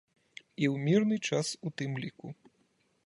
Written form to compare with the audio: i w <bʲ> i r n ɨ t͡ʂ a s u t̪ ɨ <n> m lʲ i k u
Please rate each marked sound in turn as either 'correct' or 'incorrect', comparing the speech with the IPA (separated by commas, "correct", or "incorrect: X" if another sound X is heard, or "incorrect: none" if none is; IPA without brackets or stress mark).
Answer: incorrect: mʲ, incorrect: none